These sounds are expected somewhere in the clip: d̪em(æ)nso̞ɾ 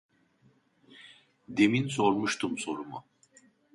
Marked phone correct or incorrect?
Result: incorrect